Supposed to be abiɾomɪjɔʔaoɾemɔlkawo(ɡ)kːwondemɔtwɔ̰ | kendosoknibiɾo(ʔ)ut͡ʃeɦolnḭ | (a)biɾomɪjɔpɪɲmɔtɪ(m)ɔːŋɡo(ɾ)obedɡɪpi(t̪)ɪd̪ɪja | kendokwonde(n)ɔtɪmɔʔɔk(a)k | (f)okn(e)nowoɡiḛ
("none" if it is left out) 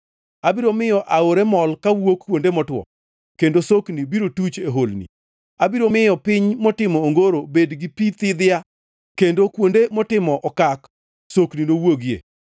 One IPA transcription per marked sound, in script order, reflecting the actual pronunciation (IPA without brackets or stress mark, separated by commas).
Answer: k, t, a, m, ɾ, t̪, m, a, s, i